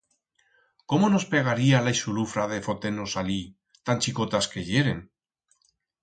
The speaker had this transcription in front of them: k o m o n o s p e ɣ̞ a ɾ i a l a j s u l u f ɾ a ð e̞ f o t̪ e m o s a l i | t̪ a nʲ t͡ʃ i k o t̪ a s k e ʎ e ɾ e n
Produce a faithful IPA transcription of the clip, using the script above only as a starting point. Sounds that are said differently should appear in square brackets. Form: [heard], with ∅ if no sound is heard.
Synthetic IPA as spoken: k o m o n o s p e ɣ̞ a ɾ i a l a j s u l u f ɾ a ð e̞ f o t̪ e [n] o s a l i | t̪ a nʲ t͡ʃ i k o t̪ a s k e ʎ e ɾ e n